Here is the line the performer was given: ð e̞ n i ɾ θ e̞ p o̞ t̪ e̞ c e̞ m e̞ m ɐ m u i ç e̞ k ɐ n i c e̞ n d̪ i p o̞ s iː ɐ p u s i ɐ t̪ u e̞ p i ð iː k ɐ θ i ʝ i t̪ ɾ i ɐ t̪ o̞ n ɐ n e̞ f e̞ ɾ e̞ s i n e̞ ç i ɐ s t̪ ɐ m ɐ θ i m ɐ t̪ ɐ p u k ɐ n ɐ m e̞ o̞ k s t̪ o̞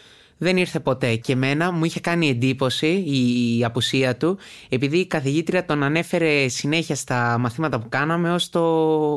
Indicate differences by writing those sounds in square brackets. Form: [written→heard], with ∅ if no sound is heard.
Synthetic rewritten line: ð e̞ n i ɾ θ e̞ p o̞ t̪ e̞ c e̞ m e̞ [m→n] ɐ m u i ç e̞ k ɐ n i [c→∅] e̞ n d̪ i p o̞ s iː ɐ p u s i ɐ t̪ u e̞ p i ð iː k ɐ θ i ʝ i t̪ ɾ i ɐ t̪ o̞ n ɐ n e̞ f e̞ ɾ e̞ s i n e̞ ç i ɐ s t̪ ɐ m ɐ θ i m ɐ t̪ ɐ p u k ɐ n ɐ m e̞ o̞ [k→∅] s t̪ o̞